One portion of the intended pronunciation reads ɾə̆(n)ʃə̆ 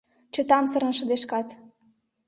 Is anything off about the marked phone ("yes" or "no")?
no